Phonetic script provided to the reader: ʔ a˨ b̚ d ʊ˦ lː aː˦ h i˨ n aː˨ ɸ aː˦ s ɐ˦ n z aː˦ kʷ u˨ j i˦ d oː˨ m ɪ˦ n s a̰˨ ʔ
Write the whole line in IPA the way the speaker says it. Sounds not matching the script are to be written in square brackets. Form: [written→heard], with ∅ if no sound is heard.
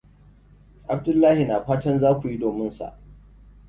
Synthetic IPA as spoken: ʔ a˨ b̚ d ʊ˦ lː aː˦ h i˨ n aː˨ ɸ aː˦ [s→t] ɐ˦ n z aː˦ kʷ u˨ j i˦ d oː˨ m ɪ˦ n s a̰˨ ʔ